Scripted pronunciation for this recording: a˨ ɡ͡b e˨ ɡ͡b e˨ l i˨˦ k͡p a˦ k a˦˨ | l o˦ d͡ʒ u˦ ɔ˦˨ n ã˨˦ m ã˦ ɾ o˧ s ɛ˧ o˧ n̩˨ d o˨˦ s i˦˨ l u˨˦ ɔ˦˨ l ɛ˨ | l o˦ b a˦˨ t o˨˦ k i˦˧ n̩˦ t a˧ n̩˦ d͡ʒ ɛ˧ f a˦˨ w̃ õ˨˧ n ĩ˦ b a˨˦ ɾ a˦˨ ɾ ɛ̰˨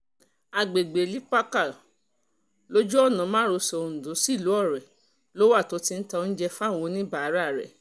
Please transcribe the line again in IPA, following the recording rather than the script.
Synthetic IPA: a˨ ɡ͡b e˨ ɡ͡b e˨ l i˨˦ k͡p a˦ k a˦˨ | l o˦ d͡ʒ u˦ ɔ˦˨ n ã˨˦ m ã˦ ɾ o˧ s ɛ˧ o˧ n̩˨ d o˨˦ s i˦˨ l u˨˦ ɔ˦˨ ɾ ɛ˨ | l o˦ w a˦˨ t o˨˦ t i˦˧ n̩˦ t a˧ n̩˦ d͡ʒ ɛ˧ f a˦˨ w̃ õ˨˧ n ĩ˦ b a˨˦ ɾ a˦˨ ɾ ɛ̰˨